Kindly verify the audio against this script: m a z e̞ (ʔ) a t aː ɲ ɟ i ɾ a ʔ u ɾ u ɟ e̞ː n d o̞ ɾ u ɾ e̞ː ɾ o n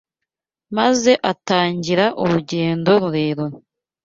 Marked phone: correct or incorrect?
correct